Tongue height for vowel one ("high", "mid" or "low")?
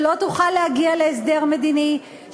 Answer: mid